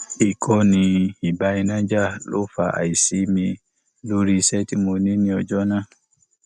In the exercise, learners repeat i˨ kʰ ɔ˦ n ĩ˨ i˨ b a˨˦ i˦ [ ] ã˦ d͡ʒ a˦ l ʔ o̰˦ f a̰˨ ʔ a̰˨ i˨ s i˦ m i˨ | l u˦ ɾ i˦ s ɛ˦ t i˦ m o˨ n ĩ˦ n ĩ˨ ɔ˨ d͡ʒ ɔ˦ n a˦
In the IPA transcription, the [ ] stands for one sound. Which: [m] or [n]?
n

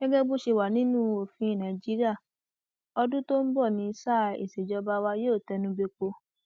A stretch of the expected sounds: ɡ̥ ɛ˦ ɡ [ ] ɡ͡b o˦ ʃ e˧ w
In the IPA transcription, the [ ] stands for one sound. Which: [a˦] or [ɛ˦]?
ɛ˦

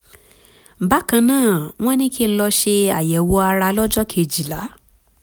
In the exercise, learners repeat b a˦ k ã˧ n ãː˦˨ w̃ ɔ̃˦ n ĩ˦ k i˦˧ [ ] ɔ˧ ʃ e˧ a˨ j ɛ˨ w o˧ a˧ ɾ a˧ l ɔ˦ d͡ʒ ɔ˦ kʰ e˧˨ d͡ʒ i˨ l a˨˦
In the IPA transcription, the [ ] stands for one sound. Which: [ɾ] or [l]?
l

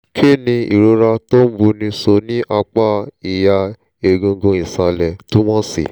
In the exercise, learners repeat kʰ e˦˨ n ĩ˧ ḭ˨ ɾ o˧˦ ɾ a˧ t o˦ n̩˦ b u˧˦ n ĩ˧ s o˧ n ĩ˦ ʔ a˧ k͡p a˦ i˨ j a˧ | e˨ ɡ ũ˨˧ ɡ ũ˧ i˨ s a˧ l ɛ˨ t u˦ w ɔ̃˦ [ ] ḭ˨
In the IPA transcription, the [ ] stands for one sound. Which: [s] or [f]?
s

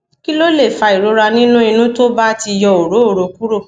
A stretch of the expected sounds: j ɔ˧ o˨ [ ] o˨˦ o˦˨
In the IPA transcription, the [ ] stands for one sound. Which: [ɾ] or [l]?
ɾ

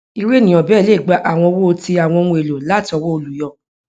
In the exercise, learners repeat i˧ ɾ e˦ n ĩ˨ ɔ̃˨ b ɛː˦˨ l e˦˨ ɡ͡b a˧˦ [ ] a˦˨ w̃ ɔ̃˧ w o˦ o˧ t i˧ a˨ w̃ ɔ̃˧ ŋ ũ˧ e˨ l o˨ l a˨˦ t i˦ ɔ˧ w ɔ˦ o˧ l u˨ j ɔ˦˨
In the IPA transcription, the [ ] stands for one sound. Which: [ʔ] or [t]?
ʔ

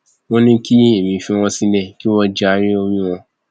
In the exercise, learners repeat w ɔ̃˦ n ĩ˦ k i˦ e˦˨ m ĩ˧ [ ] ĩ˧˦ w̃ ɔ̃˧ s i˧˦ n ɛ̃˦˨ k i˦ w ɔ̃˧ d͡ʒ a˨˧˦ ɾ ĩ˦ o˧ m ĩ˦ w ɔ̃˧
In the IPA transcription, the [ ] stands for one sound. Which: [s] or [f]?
f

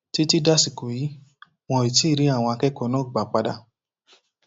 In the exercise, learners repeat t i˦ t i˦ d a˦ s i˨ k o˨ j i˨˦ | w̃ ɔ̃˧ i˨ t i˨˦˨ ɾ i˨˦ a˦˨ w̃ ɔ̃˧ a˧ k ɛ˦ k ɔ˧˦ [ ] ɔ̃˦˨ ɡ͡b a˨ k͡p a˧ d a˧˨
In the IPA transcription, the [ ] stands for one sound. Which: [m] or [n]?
n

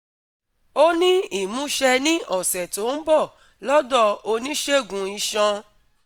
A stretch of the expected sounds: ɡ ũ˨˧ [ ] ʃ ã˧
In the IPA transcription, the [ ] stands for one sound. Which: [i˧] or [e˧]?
i˧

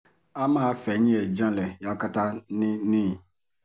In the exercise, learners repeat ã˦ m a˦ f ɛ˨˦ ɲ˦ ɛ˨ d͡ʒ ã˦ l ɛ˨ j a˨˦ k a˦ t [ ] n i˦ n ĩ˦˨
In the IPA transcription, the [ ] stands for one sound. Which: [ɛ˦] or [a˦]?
a˦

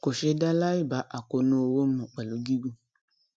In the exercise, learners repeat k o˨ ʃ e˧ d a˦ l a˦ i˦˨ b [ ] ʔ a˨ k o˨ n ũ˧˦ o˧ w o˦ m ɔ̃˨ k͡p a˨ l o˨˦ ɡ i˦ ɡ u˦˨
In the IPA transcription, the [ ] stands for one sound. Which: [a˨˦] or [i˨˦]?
a˨˦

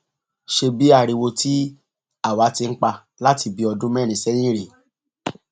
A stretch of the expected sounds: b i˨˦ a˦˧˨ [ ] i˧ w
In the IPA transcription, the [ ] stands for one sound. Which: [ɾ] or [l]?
ɾ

